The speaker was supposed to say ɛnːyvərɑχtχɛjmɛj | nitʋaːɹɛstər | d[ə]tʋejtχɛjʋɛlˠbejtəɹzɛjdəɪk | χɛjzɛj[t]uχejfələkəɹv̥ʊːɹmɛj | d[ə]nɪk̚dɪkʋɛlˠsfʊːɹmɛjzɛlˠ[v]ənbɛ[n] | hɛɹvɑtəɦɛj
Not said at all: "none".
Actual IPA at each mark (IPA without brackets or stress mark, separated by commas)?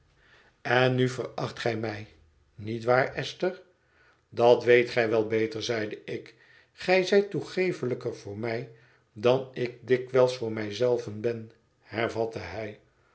ɑ, t, ɑ, v, n